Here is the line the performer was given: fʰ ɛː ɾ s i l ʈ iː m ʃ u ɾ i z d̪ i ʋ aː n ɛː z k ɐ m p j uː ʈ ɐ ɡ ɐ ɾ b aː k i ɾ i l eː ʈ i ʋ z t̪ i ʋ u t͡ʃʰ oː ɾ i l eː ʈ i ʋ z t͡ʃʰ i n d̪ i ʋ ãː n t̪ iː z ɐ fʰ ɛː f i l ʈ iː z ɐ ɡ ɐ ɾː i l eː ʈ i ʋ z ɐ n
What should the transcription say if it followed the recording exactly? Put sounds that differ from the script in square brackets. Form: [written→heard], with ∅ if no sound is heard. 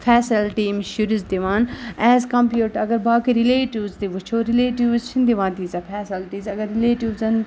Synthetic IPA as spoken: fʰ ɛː [ɾ→∅] s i l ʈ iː m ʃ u ɾ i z d̪ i ʋ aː n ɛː z k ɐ m p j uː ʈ ɐ ɡ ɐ ɾ b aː k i ɾ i l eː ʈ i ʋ z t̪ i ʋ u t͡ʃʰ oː ɾ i l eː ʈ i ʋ z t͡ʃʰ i n d̪ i ʋ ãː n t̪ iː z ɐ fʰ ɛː [f→s] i l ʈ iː z ɐ ɡ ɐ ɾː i l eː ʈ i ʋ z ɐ n

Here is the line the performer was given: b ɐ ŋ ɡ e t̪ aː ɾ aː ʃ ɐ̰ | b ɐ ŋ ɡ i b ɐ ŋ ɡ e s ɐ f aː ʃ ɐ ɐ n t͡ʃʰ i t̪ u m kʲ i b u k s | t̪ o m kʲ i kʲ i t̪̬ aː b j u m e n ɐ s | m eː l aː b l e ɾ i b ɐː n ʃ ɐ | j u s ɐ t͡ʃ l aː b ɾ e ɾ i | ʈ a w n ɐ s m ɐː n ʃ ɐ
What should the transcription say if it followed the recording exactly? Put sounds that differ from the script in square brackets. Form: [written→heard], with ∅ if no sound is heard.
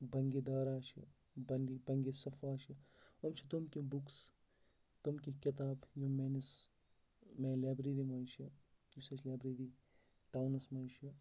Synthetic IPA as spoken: b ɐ ŋ ɡ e [t̪→d̪] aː ɾ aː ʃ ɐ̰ | b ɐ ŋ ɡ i b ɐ ŋ ɡ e s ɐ f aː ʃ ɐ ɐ [n→m] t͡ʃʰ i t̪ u m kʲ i b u k s | t̪ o m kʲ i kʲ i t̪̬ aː b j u m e n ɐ s | m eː l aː b [l→ɾ] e ɾ i [b→m] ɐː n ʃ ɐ | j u s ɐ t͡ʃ l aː b ɾ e ɾ i | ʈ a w n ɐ s m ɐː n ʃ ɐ

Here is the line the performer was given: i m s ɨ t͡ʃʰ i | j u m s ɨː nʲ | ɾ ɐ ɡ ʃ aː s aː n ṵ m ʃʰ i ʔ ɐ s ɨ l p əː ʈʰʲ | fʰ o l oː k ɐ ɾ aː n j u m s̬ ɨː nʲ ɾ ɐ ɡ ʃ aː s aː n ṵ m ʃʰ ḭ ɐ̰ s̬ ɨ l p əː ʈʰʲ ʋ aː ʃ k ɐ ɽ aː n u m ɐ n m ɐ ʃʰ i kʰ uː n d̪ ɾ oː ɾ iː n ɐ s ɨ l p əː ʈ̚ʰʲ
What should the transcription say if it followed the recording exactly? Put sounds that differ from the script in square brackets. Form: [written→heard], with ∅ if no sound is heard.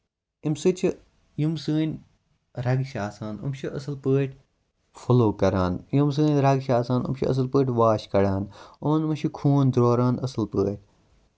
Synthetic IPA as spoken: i m s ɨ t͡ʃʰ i | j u m s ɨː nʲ | ɾ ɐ ɡ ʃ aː s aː n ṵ m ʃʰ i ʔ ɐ s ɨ l p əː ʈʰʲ | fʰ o l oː k ɐ ɾ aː n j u m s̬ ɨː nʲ ɾ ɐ ɡ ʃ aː s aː n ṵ m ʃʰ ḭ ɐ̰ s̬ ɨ l p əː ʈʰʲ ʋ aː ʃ k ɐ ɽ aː n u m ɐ n m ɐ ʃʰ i kʰ uː n d̪ ɾ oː ɾ [iː→aː] n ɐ s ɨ l p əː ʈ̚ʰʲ

